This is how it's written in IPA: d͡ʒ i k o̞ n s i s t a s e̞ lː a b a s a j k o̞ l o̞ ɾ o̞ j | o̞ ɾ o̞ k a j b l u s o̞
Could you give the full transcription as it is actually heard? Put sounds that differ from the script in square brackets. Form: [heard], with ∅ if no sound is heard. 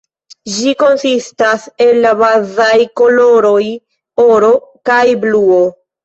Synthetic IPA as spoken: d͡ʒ i k o̞ n s i s t a s e̞ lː a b a [z] a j k o̞ l o̞ ɾ o̞ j | o̞ ɾ o̞ k a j b l u [∅] o̞